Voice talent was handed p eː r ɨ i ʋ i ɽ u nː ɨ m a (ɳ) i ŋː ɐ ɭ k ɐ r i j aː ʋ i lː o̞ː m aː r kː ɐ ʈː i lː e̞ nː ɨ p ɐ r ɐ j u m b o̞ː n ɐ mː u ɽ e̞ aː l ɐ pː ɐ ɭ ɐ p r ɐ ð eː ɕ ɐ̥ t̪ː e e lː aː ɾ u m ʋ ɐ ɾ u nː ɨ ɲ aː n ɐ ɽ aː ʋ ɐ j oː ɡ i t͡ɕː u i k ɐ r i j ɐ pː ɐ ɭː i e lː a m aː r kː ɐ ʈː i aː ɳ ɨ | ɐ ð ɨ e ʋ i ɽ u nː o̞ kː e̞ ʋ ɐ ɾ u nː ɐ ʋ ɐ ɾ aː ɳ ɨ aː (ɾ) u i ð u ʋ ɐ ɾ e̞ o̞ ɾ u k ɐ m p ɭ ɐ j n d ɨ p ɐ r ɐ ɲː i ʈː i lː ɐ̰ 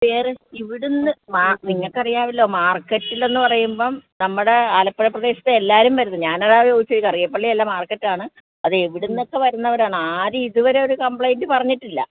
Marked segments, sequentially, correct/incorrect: incorrect: n, correct

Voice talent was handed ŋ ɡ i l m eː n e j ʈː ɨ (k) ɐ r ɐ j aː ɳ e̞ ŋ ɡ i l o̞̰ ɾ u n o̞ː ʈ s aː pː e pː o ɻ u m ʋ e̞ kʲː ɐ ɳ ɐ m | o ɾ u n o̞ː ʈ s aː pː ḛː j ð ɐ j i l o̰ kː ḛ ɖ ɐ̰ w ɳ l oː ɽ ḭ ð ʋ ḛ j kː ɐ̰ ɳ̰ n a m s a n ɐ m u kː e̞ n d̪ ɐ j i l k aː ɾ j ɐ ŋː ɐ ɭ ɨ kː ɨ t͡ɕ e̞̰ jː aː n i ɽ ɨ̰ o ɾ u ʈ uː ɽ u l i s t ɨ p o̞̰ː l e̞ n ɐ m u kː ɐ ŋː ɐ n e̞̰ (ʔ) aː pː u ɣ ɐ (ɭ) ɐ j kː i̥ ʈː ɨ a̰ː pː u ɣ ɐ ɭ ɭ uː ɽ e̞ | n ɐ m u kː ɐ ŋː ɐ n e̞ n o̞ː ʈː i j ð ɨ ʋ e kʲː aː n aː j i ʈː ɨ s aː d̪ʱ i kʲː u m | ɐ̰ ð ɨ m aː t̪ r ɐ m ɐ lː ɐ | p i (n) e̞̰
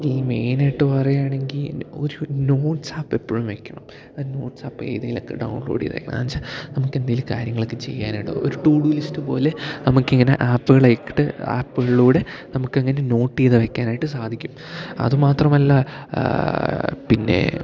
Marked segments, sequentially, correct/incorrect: incorrect: p, correct, correct, incorrect: nː

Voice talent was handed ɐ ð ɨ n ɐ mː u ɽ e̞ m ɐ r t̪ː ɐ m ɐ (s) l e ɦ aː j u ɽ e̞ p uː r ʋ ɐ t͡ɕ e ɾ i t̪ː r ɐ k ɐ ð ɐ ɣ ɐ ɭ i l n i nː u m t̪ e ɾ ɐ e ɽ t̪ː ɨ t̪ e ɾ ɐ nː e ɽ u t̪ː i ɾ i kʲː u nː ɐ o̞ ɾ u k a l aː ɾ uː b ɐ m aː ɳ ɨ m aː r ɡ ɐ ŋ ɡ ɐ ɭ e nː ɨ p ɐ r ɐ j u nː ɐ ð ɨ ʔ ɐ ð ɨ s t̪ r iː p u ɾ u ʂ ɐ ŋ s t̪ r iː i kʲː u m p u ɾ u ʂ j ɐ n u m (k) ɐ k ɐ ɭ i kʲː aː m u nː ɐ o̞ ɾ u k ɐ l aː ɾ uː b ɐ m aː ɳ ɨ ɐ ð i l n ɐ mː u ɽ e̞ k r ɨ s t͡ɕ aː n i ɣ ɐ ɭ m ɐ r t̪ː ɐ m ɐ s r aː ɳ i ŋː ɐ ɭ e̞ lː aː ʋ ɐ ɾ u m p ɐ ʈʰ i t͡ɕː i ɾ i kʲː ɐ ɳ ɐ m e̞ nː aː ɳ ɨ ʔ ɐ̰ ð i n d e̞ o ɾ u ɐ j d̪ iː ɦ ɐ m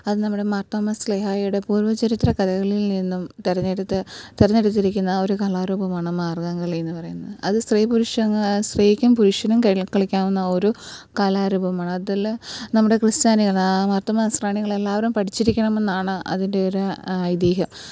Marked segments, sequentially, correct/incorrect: correct, correct

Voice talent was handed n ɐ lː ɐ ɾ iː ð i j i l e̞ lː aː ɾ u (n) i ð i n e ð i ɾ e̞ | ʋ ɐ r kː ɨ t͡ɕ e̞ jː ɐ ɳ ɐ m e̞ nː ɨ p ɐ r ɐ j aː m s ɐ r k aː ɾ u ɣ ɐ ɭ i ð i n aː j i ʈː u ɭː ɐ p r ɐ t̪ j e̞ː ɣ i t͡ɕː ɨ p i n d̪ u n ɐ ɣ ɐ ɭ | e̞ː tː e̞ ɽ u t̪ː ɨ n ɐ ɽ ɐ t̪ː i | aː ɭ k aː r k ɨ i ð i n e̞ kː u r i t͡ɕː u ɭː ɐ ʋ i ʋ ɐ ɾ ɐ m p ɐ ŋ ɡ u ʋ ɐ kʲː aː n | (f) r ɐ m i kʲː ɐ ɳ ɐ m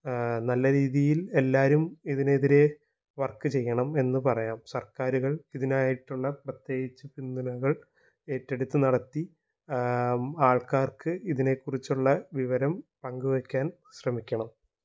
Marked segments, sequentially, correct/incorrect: incorrect: m, incorrect: ɕ

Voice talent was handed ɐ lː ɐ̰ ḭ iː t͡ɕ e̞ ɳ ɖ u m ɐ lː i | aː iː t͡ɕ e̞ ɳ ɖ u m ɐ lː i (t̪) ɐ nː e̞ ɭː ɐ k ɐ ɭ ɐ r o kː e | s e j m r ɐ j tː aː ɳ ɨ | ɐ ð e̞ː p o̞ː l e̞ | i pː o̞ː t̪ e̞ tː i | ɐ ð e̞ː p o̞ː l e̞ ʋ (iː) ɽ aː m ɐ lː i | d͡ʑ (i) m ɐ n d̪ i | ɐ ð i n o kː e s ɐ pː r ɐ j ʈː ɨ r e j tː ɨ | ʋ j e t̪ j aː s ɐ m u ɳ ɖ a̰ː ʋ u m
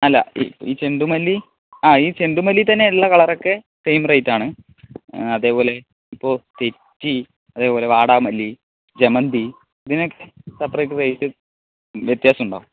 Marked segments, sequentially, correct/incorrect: correct, incorrect: aː, incorrect: e

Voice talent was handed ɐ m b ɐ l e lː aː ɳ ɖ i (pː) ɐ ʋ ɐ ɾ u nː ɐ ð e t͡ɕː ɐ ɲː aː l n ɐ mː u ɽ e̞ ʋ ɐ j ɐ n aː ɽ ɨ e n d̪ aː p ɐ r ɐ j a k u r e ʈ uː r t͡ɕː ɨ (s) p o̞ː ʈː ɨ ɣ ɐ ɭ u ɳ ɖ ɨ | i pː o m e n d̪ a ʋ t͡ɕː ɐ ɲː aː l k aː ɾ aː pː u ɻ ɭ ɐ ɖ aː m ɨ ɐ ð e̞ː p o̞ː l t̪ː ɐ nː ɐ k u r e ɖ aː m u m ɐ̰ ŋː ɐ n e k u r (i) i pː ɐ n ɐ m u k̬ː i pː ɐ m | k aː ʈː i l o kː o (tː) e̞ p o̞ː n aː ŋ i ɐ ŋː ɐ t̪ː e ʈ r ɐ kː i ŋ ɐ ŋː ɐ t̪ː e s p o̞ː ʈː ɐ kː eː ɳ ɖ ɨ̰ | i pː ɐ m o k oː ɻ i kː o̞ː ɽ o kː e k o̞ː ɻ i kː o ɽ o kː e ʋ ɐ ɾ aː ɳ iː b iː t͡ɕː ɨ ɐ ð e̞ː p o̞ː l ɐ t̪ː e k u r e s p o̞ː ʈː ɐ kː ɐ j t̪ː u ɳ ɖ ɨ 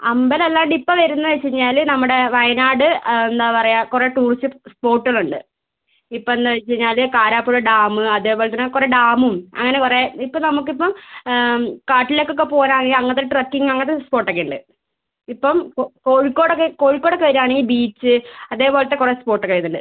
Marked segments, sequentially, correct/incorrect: correct, correct, incorrect: e, incorrect: kː

